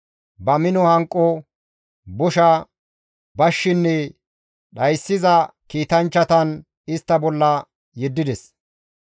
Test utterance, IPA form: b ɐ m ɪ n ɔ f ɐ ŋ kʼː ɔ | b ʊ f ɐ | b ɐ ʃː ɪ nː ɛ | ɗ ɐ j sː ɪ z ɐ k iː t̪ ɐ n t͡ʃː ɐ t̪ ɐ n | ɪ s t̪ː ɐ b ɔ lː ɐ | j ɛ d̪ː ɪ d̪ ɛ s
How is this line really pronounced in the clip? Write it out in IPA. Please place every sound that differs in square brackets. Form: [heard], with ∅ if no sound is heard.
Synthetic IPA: b ɐ m ɪ n ɔ [h] ɐ ŋ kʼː ɔ | b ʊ [ʃ] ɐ | b ɐ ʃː ɪ nː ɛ | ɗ ɐ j sː ɪ z ɐ k iː t̪ ɐ n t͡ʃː ɐ t̪ ɐ n | ɪ s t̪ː ɐ b ɔ lː ɐ | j ɛ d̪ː ɪ d̪ ɛ s

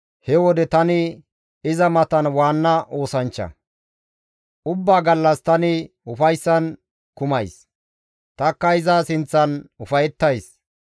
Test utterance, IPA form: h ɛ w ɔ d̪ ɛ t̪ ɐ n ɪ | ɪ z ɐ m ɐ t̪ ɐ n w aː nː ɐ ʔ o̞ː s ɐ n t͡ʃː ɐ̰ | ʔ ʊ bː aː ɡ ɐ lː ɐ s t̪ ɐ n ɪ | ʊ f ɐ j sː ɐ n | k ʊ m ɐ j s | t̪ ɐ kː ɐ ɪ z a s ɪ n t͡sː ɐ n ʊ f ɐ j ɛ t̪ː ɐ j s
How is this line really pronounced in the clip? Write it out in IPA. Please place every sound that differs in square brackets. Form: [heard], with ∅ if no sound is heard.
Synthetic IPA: h ɛ w ɔ d̪ ɛ t̪ ɐ n ɪ | ɪ z ɐ m ɐ t̪ ɐ n w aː nː ɐ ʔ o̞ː s ɐ n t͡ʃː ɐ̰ | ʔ ʊ bː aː ɡ ɐ lː ɐ s t̪ ɐ n ɪ | ʊ f ɐ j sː ɐ n | k ʊ m ɐ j s | t̪ ɐ kː ɐ ɪ z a s ɪ n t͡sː ɐ n ʊ f ɐ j ɛ t̪ː ɐ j s

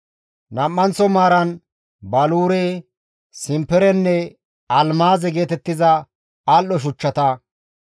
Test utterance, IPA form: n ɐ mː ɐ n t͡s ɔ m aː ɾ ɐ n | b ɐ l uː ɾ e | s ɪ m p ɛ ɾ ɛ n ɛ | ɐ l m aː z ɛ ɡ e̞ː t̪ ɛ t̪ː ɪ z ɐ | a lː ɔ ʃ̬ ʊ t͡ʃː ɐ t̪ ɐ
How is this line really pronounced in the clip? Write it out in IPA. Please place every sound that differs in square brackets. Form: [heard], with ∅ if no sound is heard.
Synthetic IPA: n ɐ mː ɐ n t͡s ɔ m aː ɾ ɐ n | b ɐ l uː ɾ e | s ɪ m p ɛ ɾ ɛ [nː] ɛ | ɐ l m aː z ɛ ɡ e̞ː t̪ ɛ t̪ː ɪ z ɐ | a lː ɔ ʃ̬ ʊ t͡ʃː ɐ t̪ ɐ

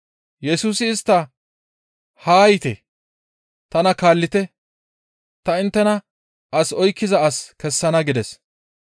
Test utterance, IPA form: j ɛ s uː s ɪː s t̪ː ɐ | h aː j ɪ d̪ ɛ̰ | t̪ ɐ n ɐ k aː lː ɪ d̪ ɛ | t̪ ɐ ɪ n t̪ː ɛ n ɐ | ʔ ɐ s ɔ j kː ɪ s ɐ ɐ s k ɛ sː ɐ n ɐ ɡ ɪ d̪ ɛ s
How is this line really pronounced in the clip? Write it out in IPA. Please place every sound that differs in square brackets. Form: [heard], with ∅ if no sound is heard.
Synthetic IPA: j ɛ s uː s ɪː s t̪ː ɐ | h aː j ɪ [t̪] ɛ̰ | t̪ ɐ n ɐ k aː lː ɪ [t̪] ɛ | t̪ ɐ ɪ n t̪ː ɛ n ɐ | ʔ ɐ s ɔ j kː ɪ [z] ɐ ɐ s k ɛ sː ɐ n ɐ ɡ ɪ d̪ ɛ s

